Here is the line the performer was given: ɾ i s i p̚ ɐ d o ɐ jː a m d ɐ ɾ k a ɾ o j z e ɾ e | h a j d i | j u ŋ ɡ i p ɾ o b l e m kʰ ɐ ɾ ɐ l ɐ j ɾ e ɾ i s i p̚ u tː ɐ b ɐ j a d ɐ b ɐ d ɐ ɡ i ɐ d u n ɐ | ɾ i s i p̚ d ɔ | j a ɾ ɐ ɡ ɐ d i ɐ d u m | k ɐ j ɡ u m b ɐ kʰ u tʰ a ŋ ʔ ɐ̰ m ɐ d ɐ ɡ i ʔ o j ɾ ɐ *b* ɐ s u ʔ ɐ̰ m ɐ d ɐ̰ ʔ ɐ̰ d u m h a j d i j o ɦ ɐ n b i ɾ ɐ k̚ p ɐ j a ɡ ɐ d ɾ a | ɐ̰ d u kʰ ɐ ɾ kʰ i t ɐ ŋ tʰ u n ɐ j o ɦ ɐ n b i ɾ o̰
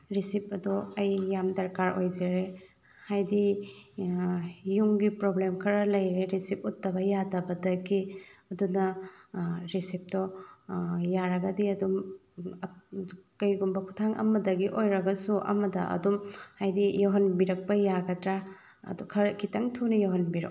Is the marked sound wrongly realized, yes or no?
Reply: yes